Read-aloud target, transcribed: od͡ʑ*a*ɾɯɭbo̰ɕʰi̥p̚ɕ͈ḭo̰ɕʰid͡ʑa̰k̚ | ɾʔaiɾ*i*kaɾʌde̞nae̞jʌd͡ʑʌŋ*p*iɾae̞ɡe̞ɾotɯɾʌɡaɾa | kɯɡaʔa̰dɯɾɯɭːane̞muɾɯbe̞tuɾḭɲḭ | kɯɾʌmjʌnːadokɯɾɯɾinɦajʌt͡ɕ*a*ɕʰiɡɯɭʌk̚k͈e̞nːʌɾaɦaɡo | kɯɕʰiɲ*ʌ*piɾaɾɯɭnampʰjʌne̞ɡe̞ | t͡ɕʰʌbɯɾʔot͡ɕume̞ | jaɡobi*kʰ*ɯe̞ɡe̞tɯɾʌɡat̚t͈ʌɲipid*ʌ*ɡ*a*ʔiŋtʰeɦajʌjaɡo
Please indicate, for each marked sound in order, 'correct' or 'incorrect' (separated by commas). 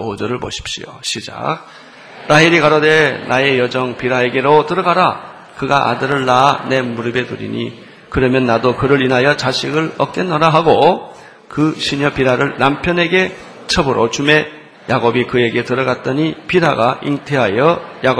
incorrect, correct, correct, correct, correct, incorrect, incorrect, correct